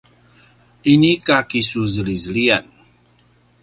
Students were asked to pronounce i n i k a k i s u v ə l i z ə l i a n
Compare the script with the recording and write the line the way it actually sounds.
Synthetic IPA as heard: i n i k a k i s u z ə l i z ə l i a n